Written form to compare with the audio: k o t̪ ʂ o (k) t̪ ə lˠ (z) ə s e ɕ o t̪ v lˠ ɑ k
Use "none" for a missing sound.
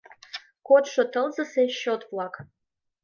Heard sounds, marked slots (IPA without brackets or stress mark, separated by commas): none, z